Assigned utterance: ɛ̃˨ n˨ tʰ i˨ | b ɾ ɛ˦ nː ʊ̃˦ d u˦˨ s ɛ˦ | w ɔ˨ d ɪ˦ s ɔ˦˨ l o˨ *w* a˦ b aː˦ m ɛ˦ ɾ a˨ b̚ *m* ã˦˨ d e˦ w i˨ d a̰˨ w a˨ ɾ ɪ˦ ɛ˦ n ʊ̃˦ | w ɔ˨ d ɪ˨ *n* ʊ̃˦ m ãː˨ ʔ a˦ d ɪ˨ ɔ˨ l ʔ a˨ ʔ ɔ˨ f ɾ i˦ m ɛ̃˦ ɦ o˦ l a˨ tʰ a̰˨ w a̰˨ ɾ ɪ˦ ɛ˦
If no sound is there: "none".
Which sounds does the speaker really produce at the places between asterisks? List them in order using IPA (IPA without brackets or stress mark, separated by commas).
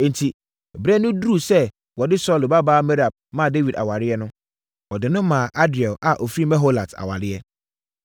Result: b, m, n